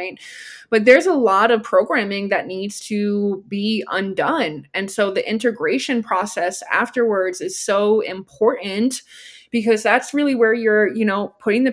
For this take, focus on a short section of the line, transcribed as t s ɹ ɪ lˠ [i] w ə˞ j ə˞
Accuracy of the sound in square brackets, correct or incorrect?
correct